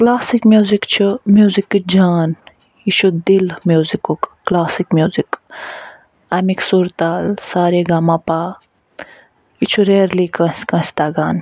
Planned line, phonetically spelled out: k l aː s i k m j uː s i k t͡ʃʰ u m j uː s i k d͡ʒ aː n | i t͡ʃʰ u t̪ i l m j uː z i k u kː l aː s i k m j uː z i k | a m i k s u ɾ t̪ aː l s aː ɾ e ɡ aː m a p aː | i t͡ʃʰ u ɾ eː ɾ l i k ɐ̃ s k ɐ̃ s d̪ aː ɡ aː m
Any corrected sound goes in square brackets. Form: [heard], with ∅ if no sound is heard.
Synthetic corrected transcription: k l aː s i k m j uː [z] i k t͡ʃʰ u m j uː [z] i k d͡ʒ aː n | i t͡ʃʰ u [d̪] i l m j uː z i k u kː l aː s i k m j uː z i k | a m i k s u ɾ t̪ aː l s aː ɾ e ɡ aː m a p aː | i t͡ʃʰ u ɾ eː ɾ l i k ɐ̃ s k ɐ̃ s [t̪] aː ɡ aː [n]